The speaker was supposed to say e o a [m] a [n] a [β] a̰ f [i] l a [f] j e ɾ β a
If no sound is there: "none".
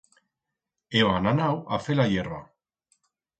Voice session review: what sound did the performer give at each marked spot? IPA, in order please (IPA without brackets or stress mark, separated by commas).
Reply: n, n, w, e, none